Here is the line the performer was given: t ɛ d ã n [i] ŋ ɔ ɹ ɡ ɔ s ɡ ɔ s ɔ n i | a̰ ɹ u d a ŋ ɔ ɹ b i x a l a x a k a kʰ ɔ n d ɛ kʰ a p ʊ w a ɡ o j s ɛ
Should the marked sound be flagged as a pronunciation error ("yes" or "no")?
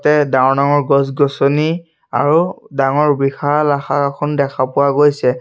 yes